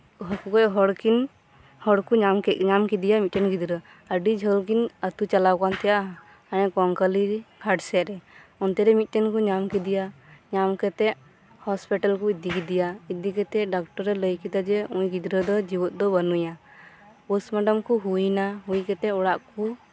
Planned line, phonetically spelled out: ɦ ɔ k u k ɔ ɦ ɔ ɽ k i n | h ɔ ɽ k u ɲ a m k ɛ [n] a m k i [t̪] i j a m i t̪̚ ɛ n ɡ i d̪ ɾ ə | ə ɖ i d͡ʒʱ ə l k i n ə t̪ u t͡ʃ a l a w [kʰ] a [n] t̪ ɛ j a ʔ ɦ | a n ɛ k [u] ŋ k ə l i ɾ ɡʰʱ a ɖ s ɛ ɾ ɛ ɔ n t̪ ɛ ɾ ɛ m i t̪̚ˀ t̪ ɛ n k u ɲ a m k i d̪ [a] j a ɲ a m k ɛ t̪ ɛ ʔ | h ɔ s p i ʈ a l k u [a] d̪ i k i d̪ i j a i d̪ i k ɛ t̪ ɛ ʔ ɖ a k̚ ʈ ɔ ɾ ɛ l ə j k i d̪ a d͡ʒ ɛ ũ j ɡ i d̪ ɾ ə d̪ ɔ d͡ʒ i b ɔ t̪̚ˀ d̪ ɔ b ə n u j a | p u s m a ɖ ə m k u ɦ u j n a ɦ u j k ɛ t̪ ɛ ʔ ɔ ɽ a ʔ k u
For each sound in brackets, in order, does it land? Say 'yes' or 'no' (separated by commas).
no, no, no, yes, no, no, no